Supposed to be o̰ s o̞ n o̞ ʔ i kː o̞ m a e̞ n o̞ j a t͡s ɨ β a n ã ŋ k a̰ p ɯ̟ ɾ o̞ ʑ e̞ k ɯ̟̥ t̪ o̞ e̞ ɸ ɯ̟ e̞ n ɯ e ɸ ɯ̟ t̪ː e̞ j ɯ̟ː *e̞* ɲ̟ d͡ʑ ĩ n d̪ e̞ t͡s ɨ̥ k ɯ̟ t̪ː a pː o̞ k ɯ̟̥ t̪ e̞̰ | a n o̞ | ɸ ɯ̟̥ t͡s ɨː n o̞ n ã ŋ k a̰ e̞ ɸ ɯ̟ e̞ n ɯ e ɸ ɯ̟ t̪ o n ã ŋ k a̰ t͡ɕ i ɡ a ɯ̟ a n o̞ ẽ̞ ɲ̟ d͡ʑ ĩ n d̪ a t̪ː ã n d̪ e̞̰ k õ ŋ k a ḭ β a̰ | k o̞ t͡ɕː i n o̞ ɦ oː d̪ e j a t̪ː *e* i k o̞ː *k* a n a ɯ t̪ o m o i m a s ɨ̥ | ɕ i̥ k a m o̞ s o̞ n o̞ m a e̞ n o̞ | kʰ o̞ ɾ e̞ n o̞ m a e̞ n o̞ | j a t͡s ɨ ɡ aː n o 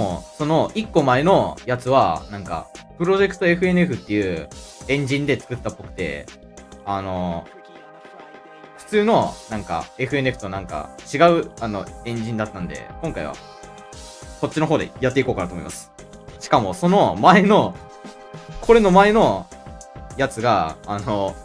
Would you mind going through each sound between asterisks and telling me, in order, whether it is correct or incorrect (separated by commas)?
incorrect, correct, correct